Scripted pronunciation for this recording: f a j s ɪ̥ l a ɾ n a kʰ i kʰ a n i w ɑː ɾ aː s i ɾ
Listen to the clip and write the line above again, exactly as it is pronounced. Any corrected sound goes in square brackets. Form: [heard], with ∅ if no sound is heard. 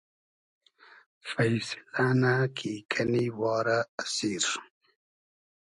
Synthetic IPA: f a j s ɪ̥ l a [∅] n a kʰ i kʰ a n i w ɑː ɾ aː s i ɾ